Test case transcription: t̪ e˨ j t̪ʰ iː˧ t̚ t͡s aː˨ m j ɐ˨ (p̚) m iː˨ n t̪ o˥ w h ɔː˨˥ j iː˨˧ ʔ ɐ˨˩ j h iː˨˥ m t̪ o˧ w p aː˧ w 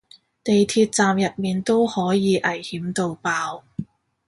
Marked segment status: incorrect: t̚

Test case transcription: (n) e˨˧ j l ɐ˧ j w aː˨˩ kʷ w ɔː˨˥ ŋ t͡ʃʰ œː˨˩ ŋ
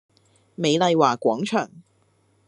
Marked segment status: incorrect: m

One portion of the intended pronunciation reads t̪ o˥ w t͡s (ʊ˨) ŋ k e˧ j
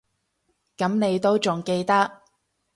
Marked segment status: correct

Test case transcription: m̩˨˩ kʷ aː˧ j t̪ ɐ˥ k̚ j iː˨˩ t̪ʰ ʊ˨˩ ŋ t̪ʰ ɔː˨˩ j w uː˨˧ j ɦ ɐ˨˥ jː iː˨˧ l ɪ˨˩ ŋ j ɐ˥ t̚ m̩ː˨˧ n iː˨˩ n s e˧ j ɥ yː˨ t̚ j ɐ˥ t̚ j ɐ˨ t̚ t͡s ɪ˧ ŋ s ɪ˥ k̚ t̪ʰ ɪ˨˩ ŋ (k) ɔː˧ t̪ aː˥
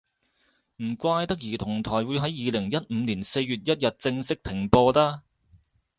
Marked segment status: incorrect: p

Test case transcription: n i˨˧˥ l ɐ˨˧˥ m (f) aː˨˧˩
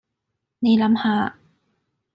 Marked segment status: incorrect: h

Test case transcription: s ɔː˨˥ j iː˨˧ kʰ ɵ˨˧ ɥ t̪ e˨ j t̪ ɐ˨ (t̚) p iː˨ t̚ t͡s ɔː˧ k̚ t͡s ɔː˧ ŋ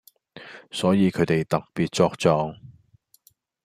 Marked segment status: incorrect: k̚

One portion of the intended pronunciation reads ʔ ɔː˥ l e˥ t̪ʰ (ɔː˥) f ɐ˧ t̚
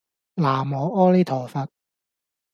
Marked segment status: incorrect: ɔː˨˩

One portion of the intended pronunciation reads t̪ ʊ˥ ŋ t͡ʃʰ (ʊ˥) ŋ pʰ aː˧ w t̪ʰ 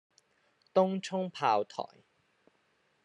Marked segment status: correct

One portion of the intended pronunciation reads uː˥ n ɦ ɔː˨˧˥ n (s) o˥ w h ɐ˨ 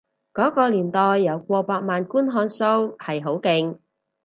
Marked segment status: correct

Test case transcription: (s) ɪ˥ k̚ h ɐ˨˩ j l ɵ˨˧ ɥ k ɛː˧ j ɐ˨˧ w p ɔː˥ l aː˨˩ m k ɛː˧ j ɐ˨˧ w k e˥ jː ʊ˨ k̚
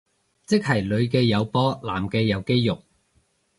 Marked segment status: incorrect: t͡s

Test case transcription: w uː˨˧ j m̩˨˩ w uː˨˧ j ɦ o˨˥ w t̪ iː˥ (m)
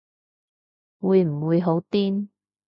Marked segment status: incorrect: n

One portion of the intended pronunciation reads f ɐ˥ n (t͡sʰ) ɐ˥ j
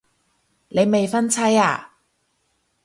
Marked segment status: correct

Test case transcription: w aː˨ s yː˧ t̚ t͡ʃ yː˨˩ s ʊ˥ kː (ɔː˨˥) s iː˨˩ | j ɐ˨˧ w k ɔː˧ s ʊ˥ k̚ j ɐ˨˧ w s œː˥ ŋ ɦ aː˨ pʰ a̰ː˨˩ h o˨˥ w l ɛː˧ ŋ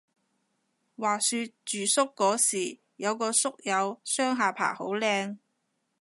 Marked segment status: correct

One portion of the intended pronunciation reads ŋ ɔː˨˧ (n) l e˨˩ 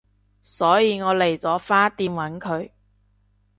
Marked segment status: incorrect: none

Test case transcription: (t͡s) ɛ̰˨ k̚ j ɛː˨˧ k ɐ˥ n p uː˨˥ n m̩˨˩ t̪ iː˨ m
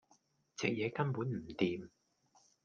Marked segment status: correct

